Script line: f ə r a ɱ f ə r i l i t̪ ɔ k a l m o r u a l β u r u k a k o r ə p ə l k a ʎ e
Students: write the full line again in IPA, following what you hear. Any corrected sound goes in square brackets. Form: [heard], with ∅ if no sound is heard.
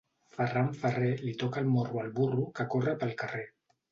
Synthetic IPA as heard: f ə r a ɱ f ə r [e] l i t̪ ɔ k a l m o r u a l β u r u k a k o r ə p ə l k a [r] e